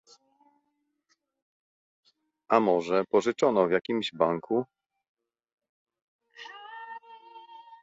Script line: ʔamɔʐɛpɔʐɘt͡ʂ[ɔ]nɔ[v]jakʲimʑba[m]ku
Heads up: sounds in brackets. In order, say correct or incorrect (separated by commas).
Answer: correct, correct, incorrect